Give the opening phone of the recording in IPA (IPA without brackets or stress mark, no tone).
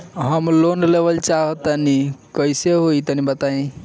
ɦ